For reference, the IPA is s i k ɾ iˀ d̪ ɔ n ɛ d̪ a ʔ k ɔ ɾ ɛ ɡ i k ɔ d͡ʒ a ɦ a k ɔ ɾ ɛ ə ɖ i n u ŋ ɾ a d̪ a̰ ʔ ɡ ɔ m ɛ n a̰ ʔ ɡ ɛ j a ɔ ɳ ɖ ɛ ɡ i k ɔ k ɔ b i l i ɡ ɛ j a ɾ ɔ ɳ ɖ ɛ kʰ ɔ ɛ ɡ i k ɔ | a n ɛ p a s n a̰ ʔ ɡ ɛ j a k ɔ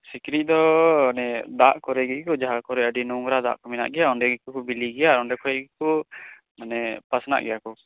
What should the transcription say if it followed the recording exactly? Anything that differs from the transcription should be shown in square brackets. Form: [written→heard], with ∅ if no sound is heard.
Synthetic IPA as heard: s i k ɾ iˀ d̪ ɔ n ɛ d̪ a ʔ k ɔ ɾ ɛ ɡ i k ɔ d͡ʒ a ɦ a k ɔ ɾ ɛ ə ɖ i n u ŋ ɾ a d̪ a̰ ʔ [ɡ→k] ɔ m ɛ n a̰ ʔ ɡ ɛ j a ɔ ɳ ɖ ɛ ɡ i k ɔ k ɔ b i l i ɡ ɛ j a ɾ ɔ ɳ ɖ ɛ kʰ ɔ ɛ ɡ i k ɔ | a n ɛ p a s n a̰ ʔ ɡ ɛ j a k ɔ

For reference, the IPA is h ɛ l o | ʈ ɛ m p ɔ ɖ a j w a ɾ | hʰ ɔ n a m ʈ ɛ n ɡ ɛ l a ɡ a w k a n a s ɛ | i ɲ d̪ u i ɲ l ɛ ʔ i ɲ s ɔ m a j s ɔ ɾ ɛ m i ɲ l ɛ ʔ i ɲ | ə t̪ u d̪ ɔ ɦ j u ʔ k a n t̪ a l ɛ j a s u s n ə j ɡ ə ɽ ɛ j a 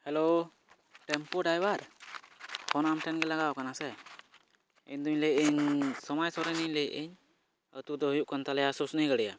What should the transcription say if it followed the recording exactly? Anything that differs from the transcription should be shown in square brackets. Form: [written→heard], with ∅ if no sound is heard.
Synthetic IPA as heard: h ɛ l o | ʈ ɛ m p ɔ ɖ a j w a ɾ | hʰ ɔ n a m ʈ ɛ n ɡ ɛ l a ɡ a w k a n a s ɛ | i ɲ d̪ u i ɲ l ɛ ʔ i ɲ s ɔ m a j s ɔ ɾ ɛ [m→n] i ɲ l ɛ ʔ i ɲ | ə t̪ u d̪ ɔ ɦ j u ʔ k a n t̪ a l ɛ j a s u s n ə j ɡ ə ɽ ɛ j a

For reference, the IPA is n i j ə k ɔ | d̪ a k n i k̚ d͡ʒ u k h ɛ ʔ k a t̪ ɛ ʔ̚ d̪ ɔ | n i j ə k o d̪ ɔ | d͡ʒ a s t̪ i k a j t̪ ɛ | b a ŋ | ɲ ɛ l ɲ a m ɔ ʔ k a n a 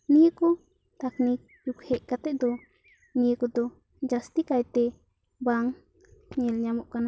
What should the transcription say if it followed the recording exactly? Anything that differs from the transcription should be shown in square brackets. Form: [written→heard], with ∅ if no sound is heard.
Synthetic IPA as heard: n i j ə k ɔ | [d̪→t̪] a k n i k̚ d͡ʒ u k h ɛ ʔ k a t̪ ɛ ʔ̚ d̪ ɔ | n i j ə k [o→ɔ] d̪ ɔ | d͡ʒ a s t̪ i k a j t̪ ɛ | b a ŋ | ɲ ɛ l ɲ a m ɔ ʔ k a n a

